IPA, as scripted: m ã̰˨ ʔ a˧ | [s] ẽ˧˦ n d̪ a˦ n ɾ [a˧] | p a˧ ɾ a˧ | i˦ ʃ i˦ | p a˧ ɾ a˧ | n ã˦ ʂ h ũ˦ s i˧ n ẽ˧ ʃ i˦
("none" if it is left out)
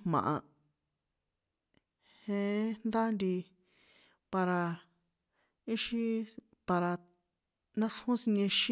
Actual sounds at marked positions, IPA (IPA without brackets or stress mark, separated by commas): h, i˧